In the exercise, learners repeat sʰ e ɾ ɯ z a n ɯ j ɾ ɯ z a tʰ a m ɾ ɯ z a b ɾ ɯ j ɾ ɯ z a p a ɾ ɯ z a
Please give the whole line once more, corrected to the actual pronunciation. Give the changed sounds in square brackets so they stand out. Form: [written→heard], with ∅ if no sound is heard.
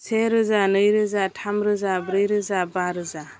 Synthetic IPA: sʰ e ɾ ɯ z a n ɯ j ɾ ɯ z a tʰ a m ɾ ɯ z a b ɾ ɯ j ɾ ɯ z a [p→b] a ɾ ɯ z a

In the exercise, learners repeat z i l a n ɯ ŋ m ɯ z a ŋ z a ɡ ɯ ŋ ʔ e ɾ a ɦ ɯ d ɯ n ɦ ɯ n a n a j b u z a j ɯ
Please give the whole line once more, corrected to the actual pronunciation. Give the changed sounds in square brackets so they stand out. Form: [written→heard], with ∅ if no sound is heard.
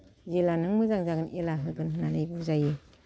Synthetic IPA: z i l a n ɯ ŋ m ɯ z a ŋ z a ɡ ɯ [ŋ→n] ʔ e [ɾ→l] a ɦ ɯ [d→ɡ] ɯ n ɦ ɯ n a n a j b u z a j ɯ

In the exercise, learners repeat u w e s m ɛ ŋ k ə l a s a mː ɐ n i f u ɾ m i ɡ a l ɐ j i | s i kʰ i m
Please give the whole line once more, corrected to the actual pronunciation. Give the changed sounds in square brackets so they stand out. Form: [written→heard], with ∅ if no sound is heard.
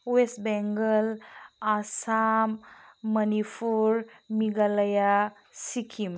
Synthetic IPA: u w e s [m→b] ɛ ŋ [k→ɡ] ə l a s a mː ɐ n i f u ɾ m i ɡ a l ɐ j [i→a] | s i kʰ i m

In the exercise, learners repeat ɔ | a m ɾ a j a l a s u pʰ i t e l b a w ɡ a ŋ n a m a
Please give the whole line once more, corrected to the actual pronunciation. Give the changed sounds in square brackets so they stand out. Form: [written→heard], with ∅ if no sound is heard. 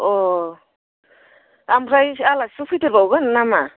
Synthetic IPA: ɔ | a m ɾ a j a l a s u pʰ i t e [l→ɾ] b a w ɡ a [ŋ→n] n a m a

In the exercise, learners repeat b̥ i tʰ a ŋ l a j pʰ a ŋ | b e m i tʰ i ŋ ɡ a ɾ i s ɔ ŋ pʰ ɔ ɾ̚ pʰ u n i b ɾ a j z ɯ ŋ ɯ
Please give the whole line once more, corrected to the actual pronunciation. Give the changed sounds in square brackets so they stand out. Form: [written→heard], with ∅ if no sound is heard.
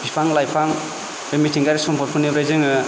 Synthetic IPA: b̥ i [tʰ→pʰ] a ŋ l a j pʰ a ŋ | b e m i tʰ i ŋ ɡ a ɾ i s ɔ [ŋ→m] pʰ ɔ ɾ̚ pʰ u n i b ɾ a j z ɯ ŋ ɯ

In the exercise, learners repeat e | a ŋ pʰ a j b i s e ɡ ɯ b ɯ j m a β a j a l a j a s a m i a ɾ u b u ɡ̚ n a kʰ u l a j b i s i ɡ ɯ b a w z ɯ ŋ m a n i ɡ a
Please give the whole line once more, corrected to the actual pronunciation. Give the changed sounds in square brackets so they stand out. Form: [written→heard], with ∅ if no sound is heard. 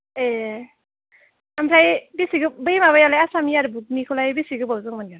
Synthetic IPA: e | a [ŋ→m] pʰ a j b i s [e→i] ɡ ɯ b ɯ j m a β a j a l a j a s a m i a ɾ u b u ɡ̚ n [a→i] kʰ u l a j b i s i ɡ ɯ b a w z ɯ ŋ m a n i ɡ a

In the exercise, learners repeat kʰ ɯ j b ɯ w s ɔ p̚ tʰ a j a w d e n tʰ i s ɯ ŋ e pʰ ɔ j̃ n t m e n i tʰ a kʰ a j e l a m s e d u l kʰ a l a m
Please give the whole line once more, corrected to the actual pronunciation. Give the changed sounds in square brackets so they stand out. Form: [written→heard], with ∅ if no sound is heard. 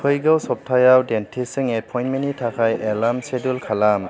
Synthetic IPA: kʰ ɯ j [b→ɡ] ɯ w s ɔ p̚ tʰ a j a w d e n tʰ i s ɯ ŋ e pʰ ɔ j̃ n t m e n i tʰ a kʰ a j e l a m s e d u l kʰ a l a m

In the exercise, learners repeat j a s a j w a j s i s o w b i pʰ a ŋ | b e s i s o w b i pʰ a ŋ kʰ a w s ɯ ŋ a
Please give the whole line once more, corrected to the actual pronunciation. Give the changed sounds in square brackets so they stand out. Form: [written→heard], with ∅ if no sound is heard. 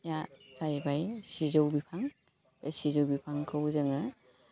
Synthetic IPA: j a s a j [w→b] a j s i [s→z] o w b i pʰ a ŋ | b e s i [s→z] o w b i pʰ a ŋ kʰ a w [s→z] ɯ ŋ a

